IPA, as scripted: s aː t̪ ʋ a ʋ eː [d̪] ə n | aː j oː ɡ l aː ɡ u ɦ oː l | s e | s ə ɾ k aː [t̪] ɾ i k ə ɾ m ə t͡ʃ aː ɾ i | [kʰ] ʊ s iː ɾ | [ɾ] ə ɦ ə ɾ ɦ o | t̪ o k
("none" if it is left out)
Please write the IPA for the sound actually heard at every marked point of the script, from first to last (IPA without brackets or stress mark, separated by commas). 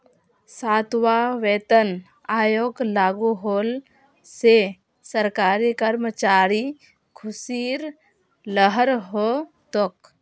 t̪, none, kʰ, l